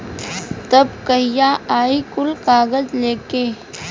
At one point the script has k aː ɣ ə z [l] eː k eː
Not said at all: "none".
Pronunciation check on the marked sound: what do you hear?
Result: l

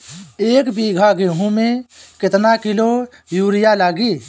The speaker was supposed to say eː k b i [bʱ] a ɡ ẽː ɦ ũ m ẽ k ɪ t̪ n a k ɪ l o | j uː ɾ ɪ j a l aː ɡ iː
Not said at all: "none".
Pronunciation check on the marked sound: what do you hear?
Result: ɡʱ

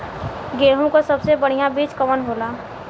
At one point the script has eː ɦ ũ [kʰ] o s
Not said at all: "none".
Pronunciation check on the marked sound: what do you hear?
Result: k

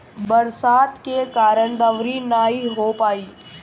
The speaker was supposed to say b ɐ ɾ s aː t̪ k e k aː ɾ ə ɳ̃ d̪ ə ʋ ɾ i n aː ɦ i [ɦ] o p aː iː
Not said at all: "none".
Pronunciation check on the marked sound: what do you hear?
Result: ɦ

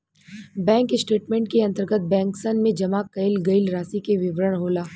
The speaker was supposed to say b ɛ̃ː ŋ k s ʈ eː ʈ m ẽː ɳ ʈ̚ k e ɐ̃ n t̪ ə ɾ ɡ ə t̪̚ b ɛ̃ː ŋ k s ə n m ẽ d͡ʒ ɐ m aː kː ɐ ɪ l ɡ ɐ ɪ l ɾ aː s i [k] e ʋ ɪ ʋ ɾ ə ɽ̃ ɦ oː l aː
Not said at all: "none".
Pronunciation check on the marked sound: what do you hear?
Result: k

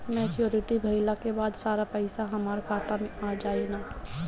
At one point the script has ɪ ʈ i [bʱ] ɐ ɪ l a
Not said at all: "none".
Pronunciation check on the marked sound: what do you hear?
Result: bʱ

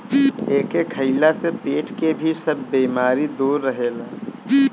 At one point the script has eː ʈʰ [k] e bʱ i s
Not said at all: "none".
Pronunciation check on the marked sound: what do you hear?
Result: k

